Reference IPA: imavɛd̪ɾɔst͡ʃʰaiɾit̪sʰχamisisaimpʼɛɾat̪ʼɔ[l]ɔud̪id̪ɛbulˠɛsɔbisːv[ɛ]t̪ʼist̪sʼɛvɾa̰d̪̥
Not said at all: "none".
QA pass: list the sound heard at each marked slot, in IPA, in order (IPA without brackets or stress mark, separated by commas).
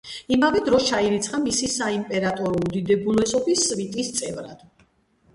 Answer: ɾ, i